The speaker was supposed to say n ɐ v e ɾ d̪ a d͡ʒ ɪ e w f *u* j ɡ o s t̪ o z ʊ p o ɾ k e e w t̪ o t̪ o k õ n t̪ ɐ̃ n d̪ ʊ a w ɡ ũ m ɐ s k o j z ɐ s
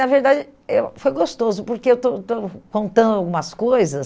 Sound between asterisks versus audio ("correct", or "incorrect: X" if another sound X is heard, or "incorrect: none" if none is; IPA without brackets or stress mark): incorrect: o